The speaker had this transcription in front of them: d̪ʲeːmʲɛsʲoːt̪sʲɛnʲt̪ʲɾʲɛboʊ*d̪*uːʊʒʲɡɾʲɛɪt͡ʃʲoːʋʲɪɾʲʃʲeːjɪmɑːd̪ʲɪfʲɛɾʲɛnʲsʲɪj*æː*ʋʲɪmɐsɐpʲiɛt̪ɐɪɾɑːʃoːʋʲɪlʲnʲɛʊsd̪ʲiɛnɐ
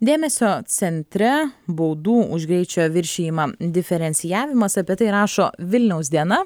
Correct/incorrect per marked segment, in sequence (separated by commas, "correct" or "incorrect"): correct, correct